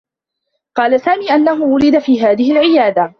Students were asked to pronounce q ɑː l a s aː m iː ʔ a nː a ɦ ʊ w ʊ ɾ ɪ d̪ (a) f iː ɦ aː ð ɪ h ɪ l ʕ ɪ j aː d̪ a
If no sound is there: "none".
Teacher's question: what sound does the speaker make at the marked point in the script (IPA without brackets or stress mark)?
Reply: a